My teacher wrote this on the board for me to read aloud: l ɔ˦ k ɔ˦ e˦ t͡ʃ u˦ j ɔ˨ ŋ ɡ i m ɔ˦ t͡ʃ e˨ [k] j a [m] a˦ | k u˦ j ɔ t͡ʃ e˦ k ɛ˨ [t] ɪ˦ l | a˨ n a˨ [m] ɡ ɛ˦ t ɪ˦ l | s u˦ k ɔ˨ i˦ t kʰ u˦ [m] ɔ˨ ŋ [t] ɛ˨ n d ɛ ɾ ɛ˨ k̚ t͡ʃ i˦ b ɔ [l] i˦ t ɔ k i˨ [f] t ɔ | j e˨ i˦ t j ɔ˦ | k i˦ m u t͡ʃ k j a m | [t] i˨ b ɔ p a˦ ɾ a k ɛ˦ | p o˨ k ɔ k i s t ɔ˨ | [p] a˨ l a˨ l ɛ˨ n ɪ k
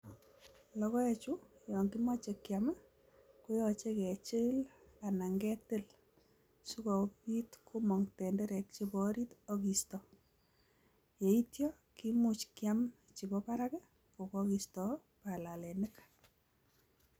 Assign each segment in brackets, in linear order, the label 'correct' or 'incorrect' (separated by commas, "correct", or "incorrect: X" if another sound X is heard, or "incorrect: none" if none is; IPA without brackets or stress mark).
correct, correct, incorrect: t͡ʃ, incorrect: ŋ, correct, correct, incorrect: ɾ, incorrect: s, incorrect: t͡ʃ, correct